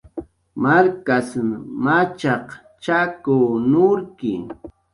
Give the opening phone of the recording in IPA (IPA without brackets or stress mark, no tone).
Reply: m